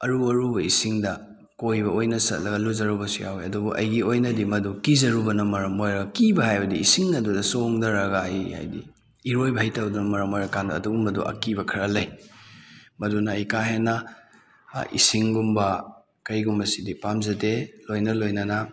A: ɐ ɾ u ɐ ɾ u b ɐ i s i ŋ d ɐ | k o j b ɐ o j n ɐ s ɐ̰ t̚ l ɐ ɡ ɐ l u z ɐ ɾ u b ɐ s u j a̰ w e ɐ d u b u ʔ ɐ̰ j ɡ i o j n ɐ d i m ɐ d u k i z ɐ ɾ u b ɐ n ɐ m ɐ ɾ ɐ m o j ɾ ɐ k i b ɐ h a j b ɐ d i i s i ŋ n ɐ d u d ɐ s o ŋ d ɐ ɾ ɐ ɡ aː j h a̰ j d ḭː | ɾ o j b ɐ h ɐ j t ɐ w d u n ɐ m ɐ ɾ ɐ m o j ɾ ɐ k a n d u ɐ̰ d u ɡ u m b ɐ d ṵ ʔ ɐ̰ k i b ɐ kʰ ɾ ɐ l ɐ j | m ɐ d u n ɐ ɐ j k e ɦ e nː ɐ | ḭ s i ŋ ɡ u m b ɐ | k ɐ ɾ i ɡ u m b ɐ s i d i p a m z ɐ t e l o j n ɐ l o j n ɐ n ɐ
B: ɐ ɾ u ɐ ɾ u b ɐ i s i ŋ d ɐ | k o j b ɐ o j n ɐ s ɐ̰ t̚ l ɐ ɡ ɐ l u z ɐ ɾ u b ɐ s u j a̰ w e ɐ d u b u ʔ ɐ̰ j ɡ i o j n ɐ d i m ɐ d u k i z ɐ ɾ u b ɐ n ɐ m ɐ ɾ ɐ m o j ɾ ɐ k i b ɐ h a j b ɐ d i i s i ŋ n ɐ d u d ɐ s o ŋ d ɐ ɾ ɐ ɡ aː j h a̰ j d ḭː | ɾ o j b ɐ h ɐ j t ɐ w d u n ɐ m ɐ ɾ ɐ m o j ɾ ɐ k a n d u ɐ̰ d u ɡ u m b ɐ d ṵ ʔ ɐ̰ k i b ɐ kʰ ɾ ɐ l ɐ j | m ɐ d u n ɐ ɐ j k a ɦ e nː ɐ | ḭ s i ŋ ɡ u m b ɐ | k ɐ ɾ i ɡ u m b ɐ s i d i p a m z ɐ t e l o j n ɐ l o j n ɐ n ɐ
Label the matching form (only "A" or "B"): B